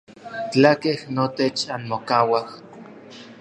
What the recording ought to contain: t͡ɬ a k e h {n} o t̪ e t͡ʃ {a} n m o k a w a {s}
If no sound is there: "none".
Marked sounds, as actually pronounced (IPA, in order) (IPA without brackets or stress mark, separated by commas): n, a, h